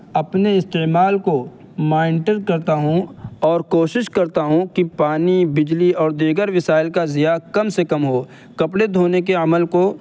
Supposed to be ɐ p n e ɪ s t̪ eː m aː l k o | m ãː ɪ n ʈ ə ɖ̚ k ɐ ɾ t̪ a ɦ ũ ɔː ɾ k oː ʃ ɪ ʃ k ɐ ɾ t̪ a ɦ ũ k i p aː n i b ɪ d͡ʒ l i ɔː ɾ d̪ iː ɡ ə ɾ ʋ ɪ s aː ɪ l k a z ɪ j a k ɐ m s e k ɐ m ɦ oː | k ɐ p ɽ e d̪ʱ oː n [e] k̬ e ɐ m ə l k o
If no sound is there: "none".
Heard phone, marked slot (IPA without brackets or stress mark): e